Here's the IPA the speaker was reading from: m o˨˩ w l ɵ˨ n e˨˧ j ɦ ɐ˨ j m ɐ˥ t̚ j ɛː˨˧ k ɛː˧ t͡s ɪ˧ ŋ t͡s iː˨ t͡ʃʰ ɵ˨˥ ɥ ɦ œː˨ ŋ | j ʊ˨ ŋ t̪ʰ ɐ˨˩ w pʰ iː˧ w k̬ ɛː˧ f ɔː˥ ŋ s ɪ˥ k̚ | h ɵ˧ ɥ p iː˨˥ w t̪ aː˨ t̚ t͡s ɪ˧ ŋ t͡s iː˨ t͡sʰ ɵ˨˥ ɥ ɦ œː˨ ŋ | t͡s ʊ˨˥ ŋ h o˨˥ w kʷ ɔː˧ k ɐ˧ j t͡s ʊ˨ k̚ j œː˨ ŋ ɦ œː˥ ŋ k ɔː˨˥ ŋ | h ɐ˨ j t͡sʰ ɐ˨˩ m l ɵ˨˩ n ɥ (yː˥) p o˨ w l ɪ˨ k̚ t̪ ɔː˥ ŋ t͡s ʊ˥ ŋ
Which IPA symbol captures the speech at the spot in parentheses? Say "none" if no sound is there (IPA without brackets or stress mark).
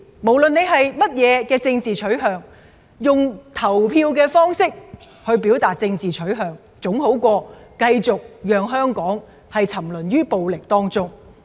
yː˥